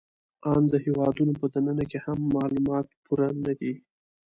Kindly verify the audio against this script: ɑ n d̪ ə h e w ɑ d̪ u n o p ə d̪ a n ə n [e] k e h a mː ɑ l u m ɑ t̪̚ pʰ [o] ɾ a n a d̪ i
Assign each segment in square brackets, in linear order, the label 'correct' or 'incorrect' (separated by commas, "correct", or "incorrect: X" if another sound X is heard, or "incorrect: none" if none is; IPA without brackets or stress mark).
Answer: incorrect: a, incorrect: u